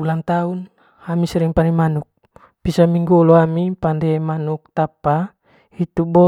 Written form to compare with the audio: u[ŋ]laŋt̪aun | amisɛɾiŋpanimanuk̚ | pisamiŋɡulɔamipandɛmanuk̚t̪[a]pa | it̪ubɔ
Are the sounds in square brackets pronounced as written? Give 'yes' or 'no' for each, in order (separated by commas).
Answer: no, yes